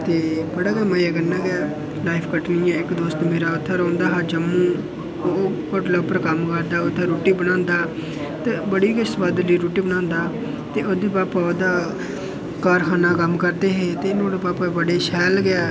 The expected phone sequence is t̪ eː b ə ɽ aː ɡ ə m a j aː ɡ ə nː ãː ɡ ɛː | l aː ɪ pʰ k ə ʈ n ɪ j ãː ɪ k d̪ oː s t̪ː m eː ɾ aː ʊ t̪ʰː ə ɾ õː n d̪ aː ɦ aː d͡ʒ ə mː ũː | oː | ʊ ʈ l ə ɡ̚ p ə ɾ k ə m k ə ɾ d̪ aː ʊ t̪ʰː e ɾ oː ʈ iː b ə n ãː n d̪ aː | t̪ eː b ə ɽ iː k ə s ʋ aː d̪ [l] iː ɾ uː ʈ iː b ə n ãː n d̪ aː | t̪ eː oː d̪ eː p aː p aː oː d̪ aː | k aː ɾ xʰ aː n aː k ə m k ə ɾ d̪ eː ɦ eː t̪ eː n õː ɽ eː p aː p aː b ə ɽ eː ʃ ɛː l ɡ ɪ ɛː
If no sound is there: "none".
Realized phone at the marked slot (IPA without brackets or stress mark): l